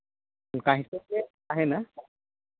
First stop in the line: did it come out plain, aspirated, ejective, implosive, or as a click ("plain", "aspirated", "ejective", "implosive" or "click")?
plain